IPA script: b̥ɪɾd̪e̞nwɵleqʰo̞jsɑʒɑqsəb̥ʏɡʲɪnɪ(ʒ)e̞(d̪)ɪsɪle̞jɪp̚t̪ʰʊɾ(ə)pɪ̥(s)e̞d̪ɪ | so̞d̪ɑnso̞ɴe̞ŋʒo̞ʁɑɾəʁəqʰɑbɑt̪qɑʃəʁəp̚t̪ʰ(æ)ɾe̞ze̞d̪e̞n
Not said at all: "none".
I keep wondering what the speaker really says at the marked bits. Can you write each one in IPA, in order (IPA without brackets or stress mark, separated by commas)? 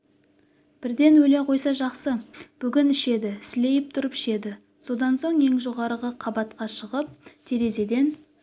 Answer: ʃ, d̪, ə, ʃ, e